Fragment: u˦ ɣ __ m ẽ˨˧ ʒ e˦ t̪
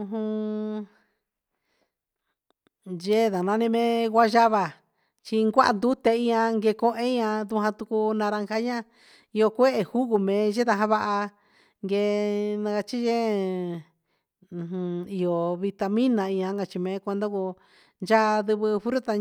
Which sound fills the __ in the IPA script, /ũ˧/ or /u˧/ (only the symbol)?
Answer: u˧